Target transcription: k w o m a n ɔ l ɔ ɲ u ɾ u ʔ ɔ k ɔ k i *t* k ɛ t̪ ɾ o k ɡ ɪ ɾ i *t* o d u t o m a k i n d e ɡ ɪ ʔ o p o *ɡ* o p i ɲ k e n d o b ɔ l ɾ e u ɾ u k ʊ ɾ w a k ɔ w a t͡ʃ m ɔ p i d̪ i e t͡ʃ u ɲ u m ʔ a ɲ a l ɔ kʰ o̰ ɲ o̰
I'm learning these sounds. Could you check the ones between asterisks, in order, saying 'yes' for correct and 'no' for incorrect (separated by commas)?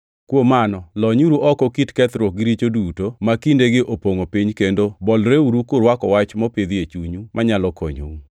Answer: yes, no, no